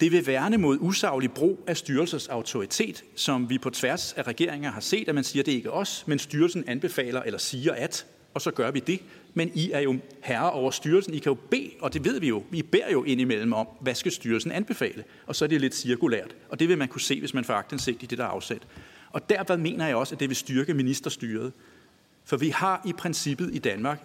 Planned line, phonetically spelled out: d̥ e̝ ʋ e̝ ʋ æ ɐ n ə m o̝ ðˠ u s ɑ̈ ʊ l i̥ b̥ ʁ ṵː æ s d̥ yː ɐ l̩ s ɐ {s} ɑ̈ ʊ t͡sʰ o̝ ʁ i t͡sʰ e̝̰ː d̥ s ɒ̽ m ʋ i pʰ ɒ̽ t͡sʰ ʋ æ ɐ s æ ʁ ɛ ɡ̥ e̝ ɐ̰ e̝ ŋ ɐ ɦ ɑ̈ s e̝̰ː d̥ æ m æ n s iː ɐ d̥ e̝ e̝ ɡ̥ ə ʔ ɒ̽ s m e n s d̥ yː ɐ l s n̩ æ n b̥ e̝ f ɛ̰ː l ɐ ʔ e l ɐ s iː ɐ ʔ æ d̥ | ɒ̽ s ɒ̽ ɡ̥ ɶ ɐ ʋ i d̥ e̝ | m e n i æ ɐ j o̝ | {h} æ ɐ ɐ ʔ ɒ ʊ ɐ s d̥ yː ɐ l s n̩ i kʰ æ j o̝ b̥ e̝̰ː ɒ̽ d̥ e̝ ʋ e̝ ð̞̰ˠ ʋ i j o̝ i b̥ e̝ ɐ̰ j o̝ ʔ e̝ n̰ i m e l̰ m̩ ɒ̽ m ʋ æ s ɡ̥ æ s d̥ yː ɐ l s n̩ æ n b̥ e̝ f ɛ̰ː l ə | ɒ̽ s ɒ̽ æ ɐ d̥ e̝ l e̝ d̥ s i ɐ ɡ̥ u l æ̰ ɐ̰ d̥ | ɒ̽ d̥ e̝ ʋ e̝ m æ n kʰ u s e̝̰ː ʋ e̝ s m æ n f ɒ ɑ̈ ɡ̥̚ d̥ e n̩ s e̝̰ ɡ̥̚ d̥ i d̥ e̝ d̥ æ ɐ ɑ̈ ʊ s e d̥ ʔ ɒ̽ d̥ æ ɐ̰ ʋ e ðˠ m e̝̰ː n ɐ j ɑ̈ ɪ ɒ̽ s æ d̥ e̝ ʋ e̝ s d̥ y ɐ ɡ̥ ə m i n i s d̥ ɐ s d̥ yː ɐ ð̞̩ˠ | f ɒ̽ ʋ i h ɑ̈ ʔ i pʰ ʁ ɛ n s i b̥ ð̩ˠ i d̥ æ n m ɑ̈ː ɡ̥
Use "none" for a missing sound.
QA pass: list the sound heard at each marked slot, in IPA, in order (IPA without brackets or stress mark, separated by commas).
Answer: s, h